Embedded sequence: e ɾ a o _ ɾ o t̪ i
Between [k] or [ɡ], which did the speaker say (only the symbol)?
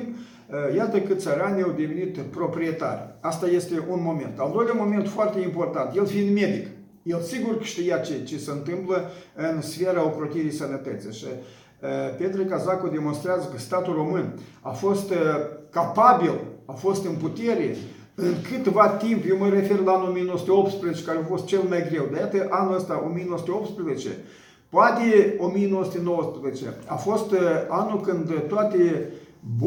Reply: k